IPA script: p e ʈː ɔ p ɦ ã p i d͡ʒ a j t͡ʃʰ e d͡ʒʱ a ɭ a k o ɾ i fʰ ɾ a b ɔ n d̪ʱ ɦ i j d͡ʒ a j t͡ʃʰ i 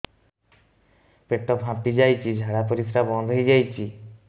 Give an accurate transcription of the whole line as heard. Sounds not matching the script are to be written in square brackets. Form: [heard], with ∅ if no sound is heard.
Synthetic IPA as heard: p e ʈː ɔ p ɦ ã p i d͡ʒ a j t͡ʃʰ [i] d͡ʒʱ a [ɽ] a [p] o ɾ i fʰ ɾ a b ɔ n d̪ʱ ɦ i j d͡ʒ a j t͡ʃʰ i

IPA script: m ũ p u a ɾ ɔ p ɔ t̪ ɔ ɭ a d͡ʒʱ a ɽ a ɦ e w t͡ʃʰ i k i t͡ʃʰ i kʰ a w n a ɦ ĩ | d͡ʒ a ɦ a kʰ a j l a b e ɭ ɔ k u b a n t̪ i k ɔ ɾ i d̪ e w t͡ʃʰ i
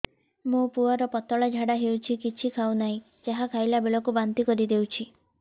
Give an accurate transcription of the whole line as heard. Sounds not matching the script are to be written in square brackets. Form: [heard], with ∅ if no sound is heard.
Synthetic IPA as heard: m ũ p u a ɾ ɔ p ɔ t̪ ɔ ɭ a d͡ʒʱ a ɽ a ɦ e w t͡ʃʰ i k i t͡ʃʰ i kʰ a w n a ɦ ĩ | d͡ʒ a ɦ a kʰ a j l a b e ɭ ɔ k u b a n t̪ i k ɔ ɾ i d̪ e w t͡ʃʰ i

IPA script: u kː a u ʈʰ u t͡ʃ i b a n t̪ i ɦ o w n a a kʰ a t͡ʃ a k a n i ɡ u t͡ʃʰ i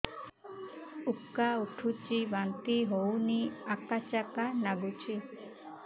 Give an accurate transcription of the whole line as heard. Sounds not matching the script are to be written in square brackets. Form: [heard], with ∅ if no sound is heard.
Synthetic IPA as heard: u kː a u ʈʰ u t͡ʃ i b a n t̪ i ɦ o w n [i] a [k] a t͡ʃ a k a n [a] ɡ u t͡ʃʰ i

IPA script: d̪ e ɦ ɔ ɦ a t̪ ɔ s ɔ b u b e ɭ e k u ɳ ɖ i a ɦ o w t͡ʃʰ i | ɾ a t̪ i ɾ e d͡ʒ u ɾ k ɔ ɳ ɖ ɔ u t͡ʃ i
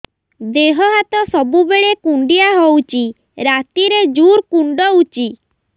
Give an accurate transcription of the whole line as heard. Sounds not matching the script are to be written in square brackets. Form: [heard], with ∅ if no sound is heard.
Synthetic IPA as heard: d̪ e ɦ ɔ ɦ a t̪ ɔ s ɔ b u b e ɭ e k u ɳ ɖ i a ɦ o w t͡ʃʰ i | ɾ a t̪ i ɾ e d͡ʒ u ɾ k [u] ɳ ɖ ɔ u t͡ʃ i

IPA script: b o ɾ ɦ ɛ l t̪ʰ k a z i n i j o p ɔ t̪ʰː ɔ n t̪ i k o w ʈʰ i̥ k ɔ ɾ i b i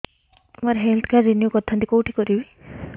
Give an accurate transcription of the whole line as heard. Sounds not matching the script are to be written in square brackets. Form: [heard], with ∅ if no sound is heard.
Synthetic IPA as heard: [m] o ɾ ɦ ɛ l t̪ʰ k a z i n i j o [k] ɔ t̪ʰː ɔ n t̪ i k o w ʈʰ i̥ k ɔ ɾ i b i

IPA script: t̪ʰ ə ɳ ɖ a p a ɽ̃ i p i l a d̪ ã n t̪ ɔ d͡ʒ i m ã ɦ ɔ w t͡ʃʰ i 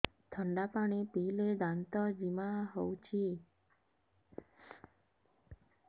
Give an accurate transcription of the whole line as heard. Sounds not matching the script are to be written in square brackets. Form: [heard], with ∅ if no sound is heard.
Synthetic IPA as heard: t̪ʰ ə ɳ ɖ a p a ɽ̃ i p i l [e] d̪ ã n t̪ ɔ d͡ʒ i m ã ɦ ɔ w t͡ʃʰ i

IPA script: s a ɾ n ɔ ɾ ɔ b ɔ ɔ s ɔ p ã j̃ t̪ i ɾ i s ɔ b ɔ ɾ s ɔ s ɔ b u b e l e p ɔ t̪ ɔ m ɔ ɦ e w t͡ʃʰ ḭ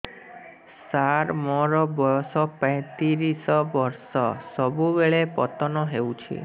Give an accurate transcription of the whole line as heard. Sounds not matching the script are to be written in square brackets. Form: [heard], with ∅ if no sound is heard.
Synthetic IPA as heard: s a ɾ [m] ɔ ɾ ɔ b ɔ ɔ s ɔ p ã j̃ t̪ i ɾ i s ɔ b ɔ ɾ s ɔ s ɔ b u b e [ɭ] e p ɔ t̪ ɔ [n] ɔ ɦ e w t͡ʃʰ ḭ

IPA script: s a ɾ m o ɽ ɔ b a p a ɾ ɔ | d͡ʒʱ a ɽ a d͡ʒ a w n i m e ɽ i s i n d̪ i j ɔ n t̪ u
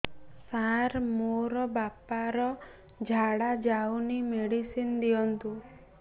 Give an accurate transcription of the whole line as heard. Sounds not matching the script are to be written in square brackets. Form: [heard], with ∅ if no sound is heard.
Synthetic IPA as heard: s a ɾ m o [ɾ] ɔ b a p a ɾ ɔ | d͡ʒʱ a ɽ a d͡ʒ a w n i m e ɽ i s i n d̪ i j ɔ n t̪ u

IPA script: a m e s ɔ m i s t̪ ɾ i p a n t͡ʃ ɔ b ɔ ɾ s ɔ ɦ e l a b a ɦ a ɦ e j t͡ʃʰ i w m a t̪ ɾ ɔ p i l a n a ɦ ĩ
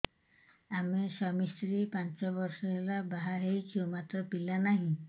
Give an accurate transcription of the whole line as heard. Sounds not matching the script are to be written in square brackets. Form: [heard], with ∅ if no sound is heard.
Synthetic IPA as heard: a m e s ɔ m i s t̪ ɾ i p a n t͡ʃ ɔ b ɔ ɾ s ɔ ɦ e l a b a ɦ a ɦ e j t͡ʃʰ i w m a t̪ ɾ ɔ p i l a n a ɦ ĩ

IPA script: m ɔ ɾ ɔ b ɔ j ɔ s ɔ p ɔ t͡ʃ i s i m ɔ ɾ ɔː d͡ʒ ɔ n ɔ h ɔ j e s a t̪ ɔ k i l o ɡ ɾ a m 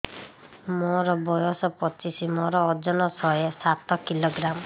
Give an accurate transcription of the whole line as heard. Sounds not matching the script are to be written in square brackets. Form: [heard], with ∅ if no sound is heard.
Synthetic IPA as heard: m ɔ ɾ ɔ b ɔ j ɔ s ɔ p ɔ t͡ʃ i s i m ɔ ɾ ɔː d͡ʒ ɔ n ɔ [s] ɔ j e s a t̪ ɔ k i l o ɡ ɾ a m

